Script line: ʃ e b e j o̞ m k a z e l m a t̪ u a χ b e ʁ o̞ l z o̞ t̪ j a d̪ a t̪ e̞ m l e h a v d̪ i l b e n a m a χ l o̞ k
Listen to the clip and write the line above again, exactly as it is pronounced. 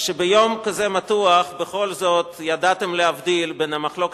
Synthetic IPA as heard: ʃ e b e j o̞ m k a z e m a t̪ u a χ b e χ o̞ l z o̞ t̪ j a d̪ a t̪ e̞ m l e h a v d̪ i l b e n a m a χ l o̞ k